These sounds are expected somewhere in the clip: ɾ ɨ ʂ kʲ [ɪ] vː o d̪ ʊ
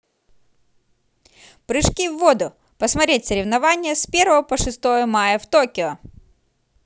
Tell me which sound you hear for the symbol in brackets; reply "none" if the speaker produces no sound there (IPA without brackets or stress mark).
i